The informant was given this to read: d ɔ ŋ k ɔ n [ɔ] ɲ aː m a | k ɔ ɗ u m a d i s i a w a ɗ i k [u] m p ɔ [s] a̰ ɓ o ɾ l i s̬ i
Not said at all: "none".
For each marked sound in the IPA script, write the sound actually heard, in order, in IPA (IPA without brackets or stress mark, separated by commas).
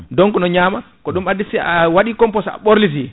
ɔ, ɔ, s